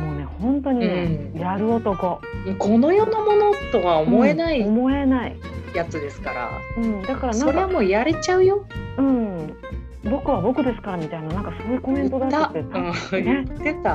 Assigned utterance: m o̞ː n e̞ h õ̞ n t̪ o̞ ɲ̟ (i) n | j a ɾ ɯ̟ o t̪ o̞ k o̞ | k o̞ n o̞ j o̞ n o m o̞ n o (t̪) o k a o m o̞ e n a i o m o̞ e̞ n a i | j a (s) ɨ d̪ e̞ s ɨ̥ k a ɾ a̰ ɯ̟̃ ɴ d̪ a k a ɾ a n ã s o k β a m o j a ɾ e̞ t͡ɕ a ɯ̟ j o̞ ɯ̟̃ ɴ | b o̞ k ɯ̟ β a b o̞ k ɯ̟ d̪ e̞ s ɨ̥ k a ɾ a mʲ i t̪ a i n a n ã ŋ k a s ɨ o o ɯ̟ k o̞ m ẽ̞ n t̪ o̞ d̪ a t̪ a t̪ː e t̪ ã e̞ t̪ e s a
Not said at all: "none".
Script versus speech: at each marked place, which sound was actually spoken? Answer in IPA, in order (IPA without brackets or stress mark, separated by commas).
i, t̪, t͡s